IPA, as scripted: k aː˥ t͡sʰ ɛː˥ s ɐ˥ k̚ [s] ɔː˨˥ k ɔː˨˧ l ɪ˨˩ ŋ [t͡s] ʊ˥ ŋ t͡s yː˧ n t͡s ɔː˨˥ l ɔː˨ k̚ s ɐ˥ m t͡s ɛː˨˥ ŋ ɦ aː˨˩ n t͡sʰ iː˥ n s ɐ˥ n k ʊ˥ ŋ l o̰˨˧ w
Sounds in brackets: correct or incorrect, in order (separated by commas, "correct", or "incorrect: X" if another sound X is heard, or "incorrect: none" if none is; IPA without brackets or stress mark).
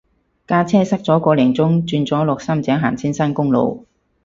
incorrect: t͡s, correct